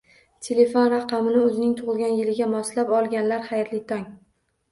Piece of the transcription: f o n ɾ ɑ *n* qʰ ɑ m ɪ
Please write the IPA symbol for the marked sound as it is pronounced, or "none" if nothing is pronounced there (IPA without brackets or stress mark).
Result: none